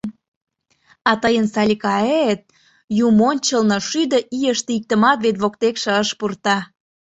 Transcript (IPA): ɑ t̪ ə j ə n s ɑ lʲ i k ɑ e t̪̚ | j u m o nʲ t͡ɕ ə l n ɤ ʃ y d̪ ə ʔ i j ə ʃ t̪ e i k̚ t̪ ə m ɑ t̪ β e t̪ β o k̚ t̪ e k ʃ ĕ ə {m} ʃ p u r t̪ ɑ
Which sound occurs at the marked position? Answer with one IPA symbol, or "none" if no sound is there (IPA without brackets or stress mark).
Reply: none